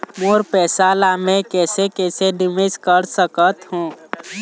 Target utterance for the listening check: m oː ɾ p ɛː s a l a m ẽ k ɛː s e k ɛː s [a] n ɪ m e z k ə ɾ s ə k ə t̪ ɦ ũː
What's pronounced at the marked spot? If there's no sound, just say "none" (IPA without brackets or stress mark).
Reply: e